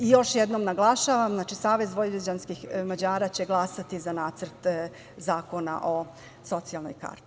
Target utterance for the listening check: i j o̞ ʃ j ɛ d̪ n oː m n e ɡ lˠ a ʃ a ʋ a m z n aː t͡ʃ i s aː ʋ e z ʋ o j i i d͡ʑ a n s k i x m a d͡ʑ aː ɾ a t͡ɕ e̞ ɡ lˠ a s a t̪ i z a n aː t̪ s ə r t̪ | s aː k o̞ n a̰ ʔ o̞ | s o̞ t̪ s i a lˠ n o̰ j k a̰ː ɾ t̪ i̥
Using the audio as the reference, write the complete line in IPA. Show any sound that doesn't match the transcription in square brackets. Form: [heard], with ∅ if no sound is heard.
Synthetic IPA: i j o̞ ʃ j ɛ d̪ n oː m n [a] ɡ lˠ a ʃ a ʋ a m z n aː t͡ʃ i s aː ʋ e z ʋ o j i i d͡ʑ a n s k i x m a d͡ʑ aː ɾ a t͡ɕ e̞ ɡ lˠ a s a t̪ i z a n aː t̪ s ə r t̪ | [z] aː k o̞ n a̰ ʔ o̞ | s o̞ t̪ s i a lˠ n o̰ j k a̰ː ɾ t̪ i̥